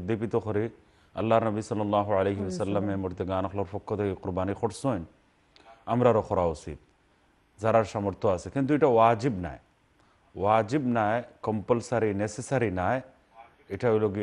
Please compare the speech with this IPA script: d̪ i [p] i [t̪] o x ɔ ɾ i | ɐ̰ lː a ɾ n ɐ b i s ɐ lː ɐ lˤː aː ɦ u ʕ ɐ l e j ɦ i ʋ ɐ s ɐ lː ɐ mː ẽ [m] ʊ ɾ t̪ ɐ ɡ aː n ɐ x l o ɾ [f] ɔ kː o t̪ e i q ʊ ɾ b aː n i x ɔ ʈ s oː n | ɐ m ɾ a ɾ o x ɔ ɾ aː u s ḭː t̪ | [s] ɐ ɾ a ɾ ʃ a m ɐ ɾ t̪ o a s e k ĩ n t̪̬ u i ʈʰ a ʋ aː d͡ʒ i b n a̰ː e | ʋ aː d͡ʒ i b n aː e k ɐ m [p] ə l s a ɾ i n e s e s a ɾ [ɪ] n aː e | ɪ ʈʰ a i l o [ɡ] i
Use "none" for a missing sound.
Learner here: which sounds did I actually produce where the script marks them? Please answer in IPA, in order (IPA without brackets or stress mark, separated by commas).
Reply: p, t̪, m, f, z, p, i, ɡ